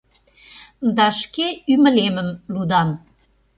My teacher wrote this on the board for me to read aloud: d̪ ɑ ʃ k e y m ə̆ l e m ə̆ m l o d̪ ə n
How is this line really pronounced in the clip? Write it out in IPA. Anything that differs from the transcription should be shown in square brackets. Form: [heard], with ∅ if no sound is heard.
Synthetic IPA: d̪ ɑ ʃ k e y m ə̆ l e m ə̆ m l [u] d̪ [ɑ] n